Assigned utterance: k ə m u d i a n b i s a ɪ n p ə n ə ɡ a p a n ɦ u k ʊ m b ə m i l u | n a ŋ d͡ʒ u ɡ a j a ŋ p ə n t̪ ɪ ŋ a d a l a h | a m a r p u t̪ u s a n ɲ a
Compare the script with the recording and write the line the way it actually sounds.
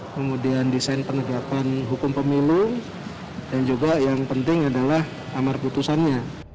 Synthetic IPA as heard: k ə m u d i a n d i s a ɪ n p ə n ə ɡ a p a n ɦ u k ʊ m p ə m i l u | d a n d͡ʒ u ɡ a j a ŋ p ə n t̪ ɪ ŋ a d a l a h | a m a r p u t̪ u s a n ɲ a